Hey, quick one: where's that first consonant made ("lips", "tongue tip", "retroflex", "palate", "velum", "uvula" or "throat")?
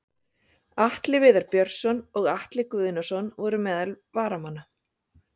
throat